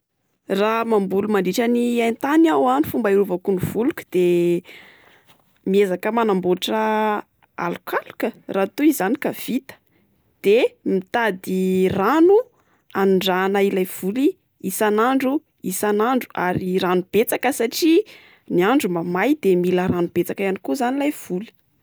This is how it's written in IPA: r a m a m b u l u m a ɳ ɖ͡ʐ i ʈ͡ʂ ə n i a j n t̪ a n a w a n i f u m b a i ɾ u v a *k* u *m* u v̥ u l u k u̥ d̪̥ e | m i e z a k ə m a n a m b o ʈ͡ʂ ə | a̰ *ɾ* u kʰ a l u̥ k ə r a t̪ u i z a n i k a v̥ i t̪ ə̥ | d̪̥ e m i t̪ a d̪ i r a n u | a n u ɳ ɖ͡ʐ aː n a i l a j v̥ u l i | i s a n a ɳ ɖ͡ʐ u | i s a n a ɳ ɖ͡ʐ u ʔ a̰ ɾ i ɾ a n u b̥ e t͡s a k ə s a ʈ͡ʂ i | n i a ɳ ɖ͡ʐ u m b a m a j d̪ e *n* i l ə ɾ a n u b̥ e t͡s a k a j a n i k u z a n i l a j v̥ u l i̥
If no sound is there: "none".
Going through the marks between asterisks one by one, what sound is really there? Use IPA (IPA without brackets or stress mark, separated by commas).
k, n, l, m